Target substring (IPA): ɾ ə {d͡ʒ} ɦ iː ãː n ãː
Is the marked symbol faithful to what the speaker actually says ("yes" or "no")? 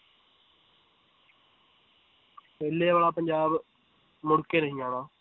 no